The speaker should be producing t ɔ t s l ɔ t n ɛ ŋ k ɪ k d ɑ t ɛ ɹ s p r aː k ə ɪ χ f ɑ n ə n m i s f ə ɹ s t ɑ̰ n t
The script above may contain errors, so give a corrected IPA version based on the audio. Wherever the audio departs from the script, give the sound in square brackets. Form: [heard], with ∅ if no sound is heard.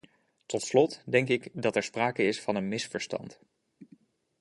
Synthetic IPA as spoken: t ɔ t s l ɔ t [d] ɛ ŋ k ɪ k d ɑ t ɛ ɹ s p r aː k ə ɪ [s] f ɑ n ə n m [ɪ] s f ə ɹ s t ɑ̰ n t